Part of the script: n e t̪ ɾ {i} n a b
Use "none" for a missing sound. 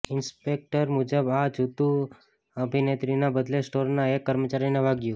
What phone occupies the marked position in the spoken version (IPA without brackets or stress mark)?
i